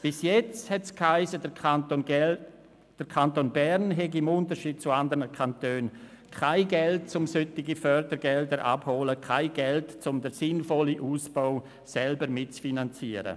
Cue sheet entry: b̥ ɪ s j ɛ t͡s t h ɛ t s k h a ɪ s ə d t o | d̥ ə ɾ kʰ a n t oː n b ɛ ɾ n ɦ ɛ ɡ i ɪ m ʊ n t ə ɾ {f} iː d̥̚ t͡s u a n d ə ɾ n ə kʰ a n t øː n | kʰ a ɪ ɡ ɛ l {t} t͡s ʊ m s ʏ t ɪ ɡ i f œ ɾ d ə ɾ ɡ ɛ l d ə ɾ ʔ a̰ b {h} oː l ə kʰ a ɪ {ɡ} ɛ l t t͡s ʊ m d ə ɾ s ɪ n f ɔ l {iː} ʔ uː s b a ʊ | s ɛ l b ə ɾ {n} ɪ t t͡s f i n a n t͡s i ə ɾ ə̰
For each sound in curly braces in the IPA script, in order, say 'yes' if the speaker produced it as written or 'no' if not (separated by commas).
no, yes, yes, yes, no, no